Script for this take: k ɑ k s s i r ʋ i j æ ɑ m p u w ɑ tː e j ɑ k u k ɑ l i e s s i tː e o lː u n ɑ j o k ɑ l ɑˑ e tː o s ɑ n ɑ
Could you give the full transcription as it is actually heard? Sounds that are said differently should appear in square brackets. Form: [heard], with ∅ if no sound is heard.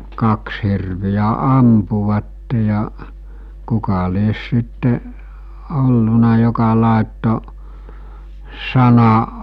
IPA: k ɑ k s [h] i r ʋ i j æ ɑ m p u [ʋ] ɑ tː e j ɑ k u k ɑ l i e s s i tː e o lː u n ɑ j o k ɑ l ɑˑ e tː o s ɑ n ɑ